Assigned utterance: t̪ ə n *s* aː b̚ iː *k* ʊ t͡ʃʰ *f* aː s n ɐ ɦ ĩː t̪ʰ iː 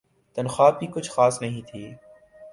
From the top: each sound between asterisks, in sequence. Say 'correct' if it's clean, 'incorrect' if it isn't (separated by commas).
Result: incorrect, correct, incorrect